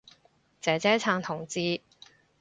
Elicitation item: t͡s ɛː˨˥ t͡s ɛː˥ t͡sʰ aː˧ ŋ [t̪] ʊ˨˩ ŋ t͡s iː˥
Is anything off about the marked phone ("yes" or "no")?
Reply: yes